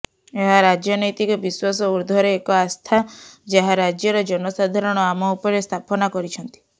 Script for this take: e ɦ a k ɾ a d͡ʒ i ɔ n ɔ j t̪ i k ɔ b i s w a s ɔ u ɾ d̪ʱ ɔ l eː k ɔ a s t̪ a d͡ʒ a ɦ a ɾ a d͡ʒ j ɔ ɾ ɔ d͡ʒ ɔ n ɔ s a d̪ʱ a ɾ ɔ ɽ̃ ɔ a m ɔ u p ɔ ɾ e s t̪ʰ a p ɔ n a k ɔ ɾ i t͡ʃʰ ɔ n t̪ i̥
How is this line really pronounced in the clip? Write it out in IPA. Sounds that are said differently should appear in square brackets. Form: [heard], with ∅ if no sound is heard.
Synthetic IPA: e ɦ a [∅] ɾ a d͡ʒ [j] ɔ n ɔ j t̪ i k ɔ b i s w a s ɔ u ɾ d̪ʱ ɔ [ɾ] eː k ɔ a s [t̪ʰ] a d͡ʒ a ɦ a ɾ a d͡ʒ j ɔ ɾ ɔ d͡ʒ ɔ n ɔ s a d̪ʱ a ɾ ɔ ɽ̃ ɔ a m ɔ u p ɔ ɾ e s t̪ʰ a p ɔ n a k ɔ ɾ i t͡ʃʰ ɔ n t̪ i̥